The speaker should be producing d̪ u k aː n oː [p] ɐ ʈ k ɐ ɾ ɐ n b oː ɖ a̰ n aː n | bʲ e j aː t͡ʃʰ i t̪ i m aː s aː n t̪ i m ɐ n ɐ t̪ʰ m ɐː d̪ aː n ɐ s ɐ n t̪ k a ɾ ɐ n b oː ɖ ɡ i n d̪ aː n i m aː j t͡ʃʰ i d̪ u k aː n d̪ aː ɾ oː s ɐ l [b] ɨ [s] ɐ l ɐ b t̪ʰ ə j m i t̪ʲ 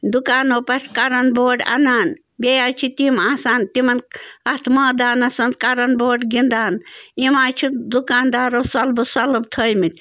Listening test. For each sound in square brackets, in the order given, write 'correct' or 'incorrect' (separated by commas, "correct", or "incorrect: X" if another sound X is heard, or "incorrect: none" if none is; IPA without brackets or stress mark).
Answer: correct, correct, correct